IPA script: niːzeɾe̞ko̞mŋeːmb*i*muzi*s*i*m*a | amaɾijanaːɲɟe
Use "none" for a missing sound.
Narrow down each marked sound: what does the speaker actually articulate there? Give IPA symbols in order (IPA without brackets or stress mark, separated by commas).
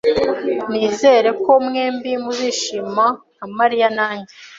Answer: i, ʃ, m